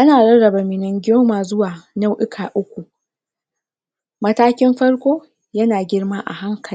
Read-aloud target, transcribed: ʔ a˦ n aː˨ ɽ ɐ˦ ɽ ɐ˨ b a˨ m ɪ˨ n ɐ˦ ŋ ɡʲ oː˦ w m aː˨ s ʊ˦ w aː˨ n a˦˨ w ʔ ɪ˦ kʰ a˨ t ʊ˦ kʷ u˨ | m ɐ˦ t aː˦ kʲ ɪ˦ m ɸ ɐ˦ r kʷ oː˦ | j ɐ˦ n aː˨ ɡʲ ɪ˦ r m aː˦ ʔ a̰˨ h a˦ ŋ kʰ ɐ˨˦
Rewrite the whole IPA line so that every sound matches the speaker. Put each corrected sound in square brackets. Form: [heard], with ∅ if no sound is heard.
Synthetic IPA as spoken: ʔ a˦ n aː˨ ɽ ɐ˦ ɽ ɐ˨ b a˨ m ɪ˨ n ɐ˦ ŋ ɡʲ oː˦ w m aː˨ [z] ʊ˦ w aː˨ n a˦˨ w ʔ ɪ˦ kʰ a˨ [ʔ] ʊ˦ kʷ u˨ | m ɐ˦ t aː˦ kʲ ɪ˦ m ɸ ɐ˦ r kʷ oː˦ | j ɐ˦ n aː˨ ɡʲ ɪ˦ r m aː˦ ʔ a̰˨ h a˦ ŋ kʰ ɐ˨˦